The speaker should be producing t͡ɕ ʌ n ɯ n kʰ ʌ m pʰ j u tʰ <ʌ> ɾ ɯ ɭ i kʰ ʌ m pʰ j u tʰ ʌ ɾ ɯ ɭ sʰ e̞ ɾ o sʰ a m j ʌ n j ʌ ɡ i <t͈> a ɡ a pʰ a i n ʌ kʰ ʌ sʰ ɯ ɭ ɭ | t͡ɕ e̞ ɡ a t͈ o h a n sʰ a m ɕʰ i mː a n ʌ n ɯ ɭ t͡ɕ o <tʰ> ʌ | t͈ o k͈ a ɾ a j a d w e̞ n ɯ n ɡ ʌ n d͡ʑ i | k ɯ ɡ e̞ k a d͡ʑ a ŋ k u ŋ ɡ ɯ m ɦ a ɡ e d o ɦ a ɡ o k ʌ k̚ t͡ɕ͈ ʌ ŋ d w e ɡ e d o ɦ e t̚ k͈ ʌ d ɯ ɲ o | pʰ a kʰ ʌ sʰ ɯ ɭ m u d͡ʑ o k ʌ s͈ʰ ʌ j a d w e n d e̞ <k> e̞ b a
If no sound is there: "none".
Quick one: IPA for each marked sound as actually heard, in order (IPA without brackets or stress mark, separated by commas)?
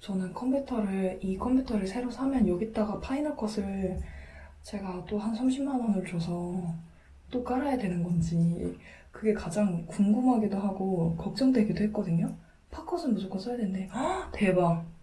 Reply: ʌ, t͈, sʰ, t